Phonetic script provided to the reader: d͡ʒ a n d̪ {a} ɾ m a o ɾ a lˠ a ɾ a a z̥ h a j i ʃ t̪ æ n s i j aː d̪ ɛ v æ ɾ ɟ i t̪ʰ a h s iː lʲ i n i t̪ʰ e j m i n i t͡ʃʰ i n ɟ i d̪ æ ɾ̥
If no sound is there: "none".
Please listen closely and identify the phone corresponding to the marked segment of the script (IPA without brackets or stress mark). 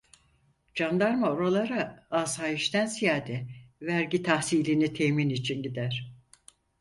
a